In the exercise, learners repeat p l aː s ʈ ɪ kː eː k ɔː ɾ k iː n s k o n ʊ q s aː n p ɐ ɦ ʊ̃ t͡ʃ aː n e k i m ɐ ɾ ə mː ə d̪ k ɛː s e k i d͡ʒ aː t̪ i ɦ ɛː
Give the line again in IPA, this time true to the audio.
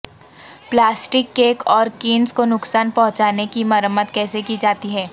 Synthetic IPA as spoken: p l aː s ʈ ɪ kː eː k ɔː ɾ k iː n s k o n ʊ k s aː n p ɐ ɦ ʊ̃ t͡ʃ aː n e k i m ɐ ɾ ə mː ə t̪ k ɛː s e k i d͡ʒ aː t̪ i ɦ ɛː